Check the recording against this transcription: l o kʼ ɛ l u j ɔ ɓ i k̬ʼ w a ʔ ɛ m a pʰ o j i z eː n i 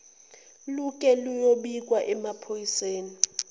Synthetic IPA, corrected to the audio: l u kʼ ɛ l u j o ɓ i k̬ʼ w a ʔ ɛ m a pʰ o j i s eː n i